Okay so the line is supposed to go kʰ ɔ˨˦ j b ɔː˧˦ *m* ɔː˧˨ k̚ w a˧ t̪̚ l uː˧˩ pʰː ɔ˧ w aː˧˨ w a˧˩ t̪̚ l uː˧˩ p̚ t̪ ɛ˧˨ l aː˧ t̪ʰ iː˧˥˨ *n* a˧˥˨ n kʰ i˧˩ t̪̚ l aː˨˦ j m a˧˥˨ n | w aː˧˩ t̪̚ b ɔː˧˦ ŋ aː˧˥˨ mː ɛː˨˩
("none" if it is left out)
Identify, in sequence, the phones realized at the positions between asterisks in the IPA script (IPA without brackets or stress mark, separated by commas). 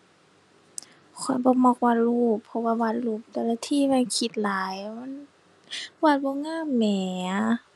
m, m